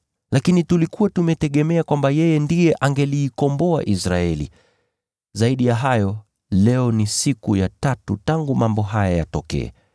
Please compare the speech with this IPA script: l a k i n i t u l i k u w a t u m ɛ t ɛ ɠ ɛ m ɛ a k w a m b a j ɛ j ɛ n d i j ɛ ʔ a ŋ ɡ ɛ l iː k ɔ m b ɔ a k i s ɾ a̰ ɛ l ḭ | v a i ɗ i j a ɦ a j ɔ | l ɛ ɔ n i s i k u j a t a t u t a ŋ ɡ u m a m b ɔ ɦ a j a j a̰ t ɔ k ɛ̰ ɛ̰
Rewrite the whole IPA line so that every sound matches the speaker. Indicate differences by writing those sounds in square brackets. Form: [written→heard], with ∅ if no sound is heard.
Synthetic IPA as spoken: l a k i n i t u l i k u w a t u m ɛ t ɛ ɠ ɛ m ɛ a k w a m b a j ɛ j ɛ n d i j ɛ ʔ a ŋ ɡ ɛ l iː k ɔ m b ɔ a [k→ʔ] i s ɾ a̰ ɛ l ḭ | [v→z] a i ɗ i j a ɦ a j ɔ | l ɛ ɔ n i s i k u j a t a t u t a ŋ ɡ u m a m b ɔ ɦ a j a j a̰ t ɔ k ɛ̰ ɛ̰